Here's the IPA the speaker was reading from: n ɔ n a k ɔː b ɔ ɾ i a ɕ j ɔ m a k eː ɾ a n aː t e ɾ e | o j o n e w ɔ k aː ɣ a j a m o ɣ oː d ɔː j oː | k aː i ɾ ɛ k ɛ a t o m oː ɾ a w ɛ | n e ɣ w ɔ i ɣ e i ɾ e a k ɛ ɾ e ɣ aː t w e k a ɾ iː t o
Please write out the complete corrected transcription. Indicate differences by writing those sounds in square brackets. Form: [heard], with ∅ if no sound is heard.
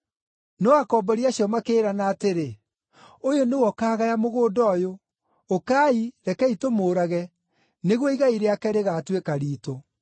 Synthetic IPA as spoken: n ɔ [∅] a k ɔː b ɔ ɾ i a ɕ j ɔ m a k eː ɾ a n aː t e ɾ e | o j o n e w ɔ k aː ɣ a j a m o ɣ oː d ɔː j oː | k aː i ɾ ɛ k ɛ [i] t o m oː ɾ a [ɣ] ɛ | n e ɣ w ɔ i ɣ [a] i ɾ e a k ɛ ɾ e ɣ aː t w e k a ɾ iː t o